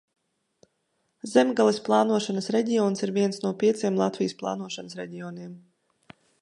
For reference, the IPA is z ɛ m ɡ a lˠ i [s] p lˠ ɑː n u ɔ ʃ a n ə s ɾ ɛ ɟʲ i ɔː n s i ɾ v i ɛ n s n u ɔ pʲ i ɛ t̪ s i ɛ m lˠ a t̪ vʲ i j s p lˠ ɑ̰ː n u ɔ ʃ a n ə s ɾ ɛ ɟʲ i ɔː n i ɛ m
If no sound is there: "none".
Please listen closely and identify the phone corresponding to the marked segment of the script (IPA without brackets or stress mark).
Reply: s